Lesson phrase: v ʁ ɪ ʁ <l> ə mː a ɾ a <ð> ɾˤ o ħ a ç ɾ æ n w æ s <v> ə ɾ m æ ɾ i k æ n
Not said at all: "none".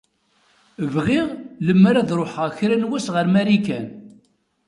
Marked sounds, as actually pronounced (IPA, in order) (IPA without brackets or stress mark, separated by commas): l, ð, ʁ